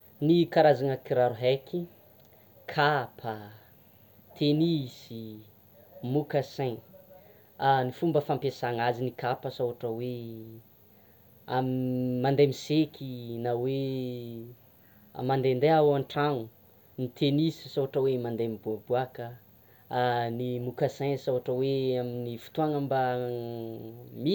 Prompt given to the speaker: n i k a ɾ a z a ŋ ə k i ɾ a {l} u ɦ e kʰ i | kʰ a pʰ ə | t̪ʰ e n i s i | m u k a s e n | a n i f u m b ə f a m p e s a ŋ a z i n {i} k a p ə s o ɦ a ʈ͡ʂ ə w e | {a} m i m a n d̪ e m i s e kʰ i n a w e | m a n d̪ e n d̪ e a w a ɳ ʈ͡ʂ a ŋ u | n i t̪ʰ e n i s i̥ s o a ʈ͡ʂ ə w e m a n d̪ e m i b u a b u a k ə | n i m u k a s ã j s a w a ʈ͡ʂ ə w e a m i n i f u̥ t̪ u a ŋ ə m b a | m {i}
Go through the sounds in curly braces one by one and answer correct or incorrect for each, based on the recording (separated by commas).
incorrect, correct, correct, correct